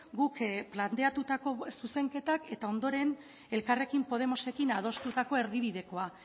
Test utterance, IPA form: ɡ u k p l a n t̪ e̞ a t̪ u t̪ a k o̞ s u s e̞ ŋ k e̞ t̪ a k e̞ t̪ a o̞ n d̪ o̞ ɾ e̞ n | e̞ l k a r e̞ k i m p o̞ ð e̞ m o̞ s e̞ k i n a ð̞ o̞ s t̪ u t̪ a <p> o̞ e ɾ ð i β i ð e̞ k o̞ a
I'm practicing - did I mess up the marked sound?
yes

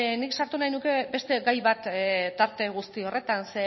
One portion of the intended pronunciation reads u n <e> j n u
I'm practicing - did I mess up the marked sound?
yes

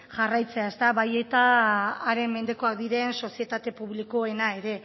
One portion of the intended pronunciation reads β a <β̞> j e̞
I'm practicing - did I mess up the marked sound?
yes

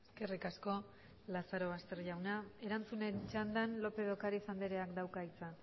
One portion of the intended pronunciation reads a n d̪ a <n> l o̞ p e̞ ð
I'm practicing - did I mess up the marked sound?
no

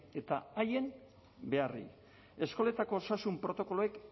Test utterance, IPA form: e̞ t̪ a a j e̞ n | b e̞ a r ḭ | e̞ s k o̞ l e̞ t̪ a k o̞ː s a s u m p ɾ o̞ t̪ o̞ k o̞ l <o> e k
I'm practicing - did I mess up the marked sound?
no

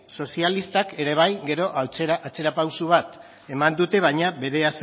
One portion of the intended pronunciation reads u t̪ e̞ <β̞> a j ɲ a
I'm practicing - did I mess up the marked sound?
no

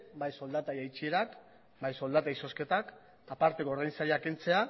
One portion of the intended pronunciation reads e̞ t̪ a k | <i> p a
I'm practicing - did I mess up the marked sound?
yes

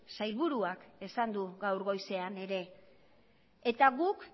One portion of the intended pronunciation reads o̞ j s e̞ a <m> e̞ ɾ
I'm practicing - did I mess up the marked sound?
yes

